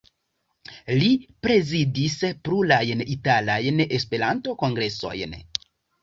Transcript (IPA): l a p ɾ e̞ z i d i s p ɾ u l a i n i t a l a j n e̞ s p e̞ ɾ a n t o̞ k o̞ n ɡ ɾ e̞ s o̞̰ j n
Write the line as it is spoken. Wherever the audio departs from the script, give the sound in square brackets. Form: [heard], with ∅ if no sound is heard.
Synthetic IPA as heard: l [i] p ɾ e̞ z i d i s p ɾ u l a [j] n i t a l a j n e̞ s p e̞ ɾ a n t o̞ k o̞ [ŋ] ɡ ɾ e̞ s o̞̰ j n